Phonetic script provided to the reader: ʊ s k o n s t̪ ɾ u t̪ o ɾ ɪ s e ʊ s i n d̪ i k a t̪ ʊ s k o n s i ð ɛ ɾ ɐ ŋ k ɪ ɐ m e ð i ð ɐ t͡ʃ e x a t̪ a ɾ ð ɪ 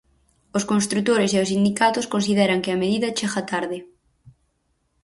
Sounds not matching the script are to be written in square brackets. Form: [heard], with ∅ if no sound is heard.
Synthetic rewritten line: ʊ s k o n s t̪ ɾ u t̪ o ɾ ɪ s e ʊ s i n d̪ i k a t̪ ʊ s k o n s i ð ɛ ɾ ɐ ŋ k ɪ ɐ m e ð i ð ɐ t͡ʃ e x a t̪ a ɾ ð ɪ